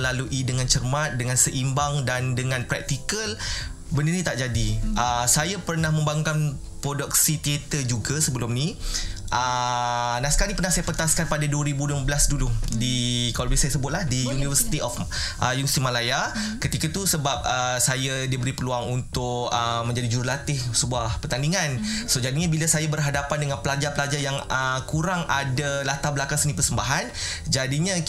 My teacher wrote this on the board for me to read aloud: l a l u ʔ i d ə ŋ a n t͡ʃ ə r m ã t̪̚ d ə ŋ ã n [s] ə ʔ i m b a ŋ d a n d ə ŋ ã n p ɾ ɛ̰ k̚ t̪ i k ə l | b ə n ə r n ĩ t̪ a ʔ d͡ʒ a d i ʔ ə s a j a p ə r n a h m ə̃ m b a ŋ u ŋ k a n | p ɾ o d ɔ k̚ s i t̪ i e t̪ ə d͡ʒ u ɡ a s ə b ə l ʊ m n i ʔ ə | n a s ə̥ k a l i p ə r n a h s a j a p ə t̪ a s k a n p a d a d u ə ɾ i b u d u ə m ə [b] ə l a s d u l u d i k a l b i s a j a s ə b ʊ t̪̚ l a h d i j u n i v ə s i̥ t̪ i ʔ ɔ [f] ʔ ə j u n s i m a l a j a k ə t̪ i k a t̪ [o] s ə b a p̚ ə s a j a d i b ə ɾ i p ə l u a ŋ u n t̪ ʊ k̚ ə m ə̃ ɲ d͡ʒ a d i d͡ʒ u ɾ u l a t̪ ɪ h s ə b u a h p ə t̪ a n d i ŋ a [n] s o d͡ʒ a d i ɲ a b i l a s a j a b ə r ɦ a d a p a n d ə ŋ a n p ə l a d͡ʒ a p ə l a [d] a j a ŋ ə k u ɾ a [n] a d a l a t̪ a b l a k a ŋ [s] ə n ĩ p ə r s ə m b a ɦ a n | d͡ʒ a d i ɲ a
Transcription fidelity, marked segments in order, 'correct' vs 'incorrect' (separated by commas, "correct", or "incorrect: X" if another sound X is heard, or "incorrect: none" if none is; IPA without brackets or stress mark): correct, correct, correct, incorrect: u, correct, incorrect: d͡ʒ, incorrect: ŋ, correct